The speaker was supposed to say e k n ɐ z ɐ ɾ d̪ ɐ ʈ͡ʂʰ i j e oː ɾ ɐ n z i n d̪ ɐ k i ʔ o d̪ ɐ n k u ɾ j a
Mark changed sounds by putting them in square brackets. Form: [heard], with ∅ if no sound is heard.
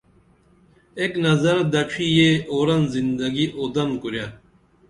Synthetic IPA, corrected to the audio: e k n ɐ z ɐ ɾ d̪ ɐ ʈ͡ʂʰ i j e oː ɾ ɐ n z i n d̪ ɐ [ɡ] i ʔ o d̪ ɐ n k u ɾ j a